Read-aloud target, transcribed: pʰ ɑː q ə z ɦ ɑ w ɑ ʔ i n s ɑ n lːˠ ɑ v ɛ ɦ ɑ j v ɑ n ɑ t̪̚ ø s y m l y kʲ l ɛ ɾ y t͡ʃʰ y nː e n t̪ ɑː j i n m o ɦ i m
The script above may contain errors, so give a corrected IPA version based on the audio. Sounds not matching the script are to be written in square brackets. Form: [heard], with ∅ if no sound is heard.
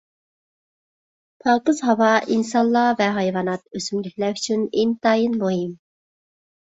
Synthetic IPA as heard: pʰ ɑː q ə z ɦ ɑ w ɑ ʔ i n s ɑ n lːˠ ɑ v ɛ ɦ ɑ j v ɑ n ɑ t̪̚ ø s y m l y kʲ l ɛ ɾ y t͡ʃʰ y [n] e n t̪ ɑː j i n m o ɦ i m

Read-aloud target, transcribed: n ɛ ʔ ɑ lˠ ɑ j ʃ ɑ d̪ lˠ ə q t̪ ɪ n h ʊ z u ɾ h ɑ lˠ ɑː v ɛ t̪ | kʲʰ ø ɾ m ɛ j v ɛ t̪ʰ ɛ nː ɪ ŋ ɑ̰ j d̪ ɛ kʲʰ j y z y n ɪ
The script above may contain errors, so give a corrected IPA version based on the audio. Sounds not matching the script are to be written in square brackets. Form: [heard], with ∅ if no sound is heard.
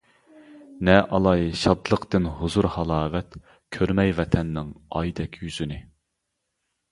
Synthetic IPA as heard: n ɛ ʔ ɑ lˠ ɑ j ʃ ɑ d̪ lˠ ə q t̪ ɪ n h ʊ z u ɾ h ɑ lˠ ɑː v ɛ t̪ | kʲʰ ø ɾ m ɛ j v ɛ t̪ʰ ɛ nː ɪ ŋ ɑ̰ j d̪ ɛ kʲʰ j y z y n ɪ

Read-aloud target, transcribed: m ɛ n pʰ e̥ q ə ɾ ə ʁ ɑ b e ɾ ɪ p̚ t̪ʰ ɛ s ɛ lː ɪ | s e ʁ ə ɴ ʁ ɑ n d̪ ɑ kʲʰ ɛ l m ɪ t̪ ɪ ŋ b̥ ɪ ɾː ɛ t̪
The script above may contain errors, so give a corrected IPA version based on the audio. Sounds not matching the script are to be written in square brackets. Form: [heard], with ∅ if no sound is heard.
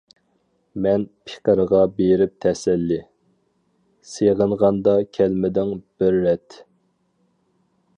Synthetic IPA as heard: m ɛ n pʰ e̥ q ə ɾ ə ʁ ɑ b e ɾ ɪ p̚ t̪ʰ ɛ s ɛ lː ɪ | s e ʁ ə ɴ ʁ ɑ n d̪ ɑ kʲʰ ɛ l m ɪ [d̪] ɪ ŋ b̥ ɪ ɾː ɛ t̪

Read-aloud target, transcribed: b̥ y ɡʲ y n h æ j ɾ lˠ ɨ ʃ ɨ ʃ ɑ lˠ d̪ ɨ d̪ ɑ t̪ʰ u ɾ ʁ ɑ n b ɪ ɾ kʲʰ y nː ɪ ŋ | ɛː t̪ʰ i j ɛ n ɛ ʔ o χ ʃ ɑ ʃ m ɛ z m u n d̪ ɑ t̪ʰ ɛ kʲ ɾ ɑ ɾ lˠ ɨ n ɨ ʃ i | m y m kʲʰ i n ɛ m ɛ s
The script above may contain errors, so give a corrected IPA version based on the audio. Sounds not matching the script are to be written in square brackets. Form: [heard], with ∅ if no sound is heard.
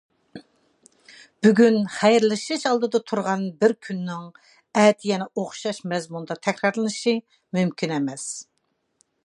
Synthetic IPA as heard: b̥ y ɡʲ y n [χ] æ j ɾ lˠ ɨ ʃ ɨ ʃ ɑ lˠ d̪ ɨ d̪ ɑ t̪ʰ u ɾ ʁ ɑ n b ɪ ɾ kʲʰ y nː ɪ ŋ | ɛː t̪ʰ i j ɛ n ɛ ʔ o χ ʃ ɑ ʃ m ɛ z m u n d̪ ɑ t̪ʰ ɛ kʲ ɾ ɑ ɾ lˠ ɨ n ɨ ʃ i | m y m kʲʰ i n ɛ m ɛ s

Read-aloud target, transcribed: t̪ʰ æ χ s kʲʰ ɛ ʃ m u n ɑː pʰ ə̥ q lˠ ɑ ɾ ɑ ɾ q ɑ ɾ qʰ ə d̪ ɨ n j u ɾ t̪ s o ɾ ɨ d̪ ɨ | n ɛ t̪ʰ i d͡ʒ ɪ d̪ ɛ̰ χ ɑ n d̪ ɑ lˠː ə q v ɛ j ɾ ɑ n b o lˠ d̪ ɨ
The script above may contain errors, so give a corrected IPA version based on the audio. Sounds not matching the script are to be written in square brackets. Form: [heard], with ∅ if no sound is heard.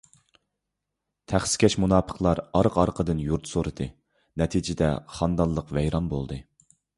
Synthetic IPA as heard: t̪ʰ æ χ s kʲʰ ɛ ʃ m u n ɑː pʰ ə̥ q lˠ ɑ ɾ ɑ ɾ q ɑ ɾ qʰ ə d̪ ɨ n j u ɾ t̪ s o ɾ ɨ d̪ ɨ | n ɛ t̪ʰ i d͡ʒ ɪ d̪ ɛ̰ χ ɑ n d̪ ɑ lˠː ə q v ɛ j ɾ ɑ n b o lˠ d̪ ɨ

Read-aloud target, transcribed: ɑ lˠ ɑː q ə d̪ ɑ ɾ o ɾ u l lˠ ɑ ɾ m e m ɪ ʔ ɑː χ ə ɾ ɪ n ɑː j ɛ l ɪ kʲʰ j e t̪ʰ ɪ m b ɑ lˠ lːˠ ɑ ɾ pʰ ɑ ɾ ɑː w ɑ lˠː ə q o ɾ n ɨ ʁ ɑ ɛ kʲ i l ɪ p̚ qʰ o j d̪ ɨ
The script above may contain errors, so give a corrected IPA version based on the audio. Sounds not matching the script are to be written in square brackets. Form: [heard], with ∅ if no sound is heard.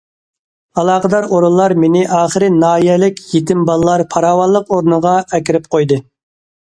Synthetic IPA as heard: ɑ lˠ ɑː q ə d̪ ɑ ɾ o ɾ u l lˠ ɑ ɾ m e [n] ɪ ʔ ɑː χ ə ɾ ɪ n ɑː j ɛ l ɪ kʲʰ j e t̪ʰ ɪ m b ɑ lˠ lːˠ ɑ ɾ pʰ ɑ ɾ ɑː w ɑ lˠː ə q o ɾ n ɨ ʁ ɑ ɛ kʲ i [ɾ] ɪ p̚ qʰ o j d̪ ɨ

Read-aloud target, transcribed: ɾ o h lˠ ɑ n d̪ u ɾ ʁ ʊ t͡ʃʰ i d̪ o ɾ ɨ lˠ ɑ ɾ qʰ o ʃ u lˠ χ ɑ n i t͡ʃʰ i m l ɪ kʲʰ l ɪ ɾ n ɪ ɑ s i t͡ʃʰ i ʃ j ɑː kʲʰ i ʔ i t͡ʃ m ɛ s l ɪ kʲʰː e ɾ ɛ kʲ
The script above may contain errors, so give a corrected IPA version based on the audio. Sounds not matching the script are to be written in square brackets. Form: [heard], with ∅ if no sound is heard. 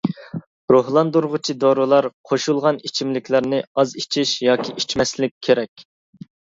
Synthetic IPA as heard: ɾ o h lˠ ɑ n d̪ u ɾ ʁ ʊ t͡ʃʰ i d̪ o ɾ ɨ lˠ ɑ ɾ qʰ o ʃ u lˠ [ʁ] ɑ n i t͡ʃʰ i m l ɪ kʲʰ l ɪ ɾ n ɪ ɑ [z] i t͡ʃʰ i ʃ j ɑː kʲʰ i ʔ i t͡ʃ m ɛ s l ɪ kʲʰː e ɾ ɛ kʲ

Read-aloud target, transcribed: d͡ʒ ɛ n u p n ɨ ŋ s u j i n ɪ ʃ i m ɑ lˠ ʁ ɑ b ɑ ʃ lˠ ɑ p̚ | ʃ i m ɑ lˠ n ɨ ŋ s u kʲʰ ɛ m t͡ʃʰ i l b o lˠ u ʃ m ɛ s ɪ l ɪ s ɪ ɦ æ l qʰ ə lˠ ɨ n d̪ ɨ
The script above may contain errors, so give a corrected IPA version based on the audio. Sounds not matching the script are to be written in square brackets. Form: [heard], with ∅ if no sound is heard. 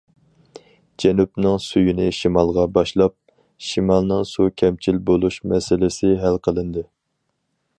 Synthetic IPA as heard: d͡ʒ ɛ n u p n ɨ ŋ s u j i n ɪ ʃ i m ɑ lˠ ʁ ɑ b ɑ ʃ lˠ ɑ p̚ | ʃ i m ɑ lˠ n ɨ ŋ s u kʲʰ ɛ m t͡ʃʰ i l b o lˠ u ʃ m ɛ s ɪ l ɪ s ɪ ɦ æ l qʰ ə lˠ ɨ n d̪ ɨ

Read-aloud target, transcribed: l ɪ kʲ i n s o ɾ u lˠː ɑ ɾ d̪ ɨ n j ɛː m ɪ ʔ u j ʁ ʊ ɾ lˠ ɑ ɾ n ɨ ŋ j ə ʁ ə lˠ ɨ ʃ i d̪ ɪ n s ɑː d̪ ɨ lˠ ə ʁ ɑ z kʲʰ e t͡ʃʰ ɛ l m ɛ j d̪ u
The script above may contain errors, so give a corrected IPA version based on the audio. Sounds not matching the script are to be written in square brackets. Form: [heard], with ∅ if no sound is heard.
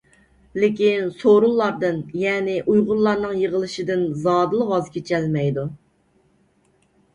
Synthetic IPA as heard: l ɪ kʲ i n s o ɾ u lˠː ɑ ɾ d̪ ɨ n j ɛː [n] ɪ ʔ u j ʁ ʊ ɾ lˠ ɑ ɾ n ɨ ŋ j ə ʁ ə lˠ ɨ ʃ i d̪ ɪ n [z] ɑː d̪ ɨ lˠ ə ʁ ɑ z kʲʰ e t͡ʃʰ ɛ l m ɛ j d̪ u

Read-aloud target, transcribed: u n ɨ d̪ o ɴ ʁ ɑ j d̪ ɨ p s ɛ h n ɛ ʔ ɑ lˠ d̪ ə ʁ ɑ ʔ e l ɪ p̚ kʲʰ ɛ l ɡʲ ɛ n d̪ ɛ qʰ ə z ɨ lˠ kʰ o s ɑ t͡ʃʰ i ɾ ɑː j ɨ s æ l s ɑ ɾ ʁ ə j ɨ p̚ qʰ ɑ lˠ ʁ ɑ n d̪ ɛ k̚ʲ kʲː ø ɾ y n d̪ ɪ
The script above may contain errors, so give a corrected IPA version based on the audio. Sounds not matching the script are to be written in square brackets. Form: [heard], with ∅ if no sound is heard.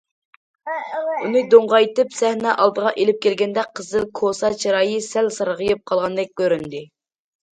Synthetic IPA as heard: u n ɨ d̪ o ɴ ʁ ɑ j [t̪] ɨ p s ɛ h n ɛ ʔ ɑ lˠ d̪ ə ʁ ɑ ʔ e l ɪ p̚ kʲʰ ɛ l ɡʲ ɛ n d̪ ɛ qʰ ə z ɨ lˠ kʰ o s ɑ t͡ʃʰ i ɾ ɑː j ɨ s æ l s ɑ ɾ ʁ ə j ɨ p̚ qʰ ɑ lˠ ʁ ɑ n d̪ ɛ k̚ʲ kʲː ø ɾ y n d̪ ɪ

